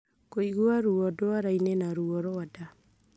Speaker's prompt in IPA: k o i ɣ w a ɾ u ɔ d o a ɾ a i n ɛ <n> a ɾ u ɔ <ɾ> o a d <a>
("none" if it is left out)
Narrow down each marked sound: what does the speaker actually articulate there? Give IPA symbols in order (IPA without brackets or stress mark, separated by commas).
n, ɾ, a